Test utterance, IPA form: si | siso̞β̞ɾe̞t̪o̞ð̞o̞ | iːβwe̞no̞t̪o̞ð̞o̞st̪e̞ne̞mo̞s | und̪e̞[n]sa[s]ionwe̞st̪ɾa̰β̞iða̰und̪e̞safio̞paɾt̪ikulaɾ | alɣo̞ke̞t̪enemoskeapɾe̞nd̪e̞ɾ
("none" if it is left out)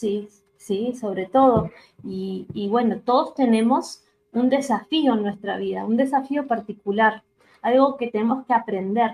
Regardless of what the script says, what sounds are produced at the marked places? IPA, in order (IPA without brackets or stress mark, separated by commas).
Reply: none, f